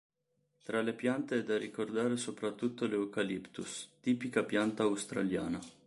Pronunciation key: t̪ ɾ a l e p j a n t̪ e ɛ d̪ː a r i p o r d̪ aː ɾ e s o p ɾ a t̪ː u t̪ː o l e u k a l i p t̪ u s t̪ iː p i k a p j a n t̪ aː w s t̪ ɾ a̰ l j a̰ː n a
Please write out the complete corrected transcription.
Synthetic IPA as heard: t̪ ɾ a l e p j a n t̪ e ɛ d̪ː a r i k o r d̪ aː ɾ e s o p ɾ a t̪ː u t̪ː o l e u k a l i p t̪ u s t̪ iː p i k a p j a n t̪ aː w s t̪ ɾ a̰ l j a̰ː n a